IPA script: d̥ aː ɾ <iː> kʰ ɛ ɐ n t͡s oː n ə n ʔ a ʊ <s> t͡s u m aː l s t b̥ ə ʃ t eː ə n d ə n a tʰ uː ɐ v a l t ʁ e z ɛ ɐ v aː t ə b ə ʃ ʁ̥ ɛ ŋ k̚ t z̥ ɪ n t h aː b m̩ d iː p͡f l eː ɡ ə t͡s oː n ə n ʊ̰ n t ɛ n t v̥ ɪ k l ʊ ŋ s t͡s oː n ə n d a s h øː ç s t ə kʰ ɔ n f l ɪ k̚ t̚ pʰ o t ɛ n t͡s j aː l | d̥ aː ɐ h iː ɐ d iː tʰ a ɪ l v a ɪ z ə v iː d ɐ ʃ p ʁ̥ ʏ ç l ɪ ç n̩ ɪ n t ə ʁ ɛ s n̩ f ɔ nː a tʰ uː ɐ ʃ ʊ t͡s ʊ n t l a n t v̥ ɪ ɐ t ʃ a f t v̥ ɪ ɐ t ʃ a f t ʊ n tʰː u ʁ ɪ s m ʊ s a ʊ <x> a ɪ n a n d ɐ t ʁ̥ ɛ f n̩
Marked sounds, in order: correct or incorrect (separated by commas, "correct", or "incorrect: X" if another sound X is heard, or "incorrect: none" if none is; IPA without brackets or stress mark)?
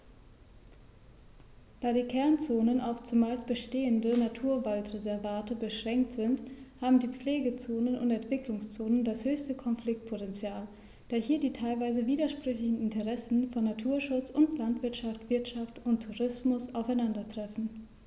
correct, incorrect: f, incorrect: f